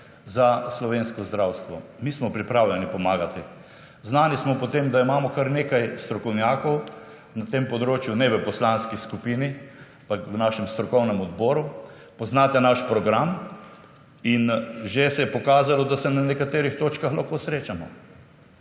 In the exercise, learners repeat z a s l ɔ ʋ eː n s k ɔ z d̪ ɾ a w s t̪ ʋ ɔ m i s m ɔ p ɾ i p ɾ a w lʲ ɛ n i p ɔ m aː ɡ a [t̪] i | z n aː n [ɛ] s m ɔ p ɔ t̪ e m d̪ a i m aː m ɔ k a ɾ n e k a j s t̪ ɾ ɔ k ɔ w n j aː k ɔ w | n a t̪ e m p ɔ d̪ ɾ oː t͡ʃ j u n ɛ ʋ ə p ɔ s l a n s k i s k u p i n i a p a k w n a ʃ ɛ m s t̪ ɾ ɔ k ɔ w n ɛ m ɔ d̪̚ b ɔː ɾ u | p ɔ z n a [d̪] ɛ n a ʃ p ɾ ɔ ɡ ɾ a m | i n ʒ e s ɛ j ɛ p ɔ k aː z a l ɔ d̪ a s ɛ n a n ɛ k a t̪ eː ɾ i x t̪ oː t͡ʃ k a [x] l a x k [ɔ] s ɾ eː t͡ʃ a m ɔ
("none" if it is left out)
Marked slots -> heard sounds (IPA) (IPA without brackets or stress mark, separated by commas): t̪, i, t̪, x, o